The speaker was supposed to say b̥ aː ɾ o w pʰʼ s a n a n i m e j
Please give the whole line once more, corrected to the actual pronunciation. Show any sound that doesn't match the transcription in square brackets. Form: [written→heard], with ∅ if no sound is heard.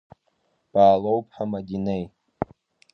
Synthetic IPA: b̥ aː [ɾ→l] o w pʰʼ [s→ħ] a [n→m] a [n→d] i [m→n] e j